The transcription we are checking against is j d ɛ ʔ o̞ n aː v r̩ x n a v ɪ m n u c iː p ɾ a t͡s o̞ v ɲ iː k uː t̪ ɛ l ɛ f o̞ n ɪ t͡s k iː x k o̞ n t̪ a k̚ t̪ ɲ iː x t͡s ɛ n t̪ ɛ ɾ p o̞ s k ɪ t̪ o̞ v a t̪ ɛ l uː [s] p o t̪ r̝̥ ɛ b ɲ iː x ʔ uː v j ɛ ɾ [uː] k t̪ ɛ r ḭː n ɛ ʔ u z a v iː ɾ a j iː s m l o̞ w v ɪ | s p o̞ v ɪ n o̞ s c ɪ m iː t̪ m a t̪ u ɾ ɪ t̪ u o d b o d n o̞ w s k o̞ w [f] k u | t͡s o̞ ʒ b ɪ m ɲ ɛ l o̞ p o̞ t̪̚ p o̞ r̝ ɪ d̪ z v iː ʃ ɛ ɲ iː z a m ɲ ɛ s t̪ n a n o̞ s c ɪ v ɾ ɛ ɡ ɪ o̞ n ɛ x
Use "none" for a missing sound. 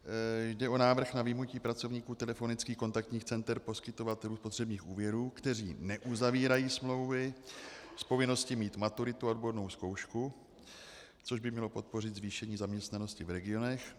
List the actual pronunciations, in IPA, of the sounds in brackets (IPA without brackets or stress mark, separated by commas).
s, uː, ʃ